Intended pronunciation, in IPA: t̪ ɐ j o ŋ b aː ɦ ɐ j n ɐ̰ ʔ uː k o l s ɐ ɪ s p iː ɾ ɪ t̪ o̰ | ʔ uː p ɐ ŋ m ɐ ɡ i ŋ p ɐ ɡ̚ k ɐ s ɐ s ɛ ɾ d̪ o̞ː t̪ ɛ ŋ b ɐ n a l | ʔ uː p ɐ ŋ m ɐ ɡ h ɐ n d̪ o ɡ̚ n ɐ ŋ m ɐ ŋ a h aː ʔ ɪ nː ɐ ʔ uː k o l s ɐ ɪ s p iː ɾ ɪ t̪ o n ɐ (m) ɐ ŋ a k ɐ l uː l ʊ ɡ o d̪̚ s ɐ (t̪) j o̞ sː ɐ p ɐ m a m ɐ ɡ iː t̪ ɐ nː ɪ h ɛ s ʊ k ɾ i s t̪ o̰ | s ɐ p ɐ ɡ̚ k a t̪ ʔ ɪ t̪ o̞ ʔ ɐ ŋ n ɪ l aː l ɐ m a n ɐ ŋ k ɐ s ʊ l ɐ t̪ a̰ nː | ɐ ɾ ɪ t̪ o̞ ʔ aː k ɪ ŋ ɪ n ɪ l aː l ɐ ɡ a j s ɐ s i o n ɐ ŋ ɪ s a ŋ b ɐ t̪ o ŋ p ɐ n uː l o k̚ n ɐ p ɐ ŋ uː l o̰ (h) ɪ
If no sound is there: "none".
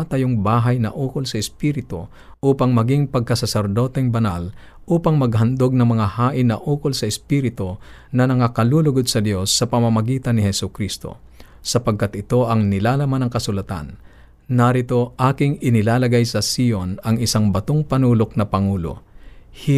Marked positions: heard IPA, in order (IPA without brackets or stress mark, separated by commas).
n, d̪, h